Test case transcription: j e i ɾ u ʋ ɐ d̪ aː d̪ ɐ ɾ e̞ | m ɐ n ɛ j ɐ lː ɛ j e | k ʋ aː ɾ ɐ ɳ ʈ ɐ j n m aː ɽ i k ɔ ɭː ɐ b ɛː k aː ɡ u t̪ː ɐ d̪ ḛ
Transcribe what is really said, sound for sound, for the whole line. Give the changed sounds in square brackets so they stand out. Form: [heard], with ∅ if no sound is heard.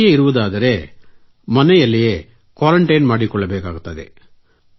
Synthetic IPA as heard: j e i ɾ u ʋ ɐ d̪ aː d̪ ɐ ɾ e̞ | m ɐ n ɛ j ɐ lː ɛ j e | k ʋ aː ɾ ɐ ɳ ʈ ɐ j n m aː ɽ i k ɔ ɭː ɐ b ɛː k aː ɡ u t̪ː ɐ d̪ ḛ